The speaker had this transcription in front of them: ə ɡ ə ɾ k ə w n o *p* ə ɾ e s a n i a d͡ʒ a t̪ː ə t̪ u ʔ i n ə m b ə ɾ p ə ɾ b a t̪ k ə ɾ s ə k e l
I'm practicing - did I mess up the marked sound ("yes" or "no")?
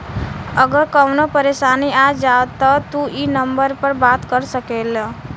no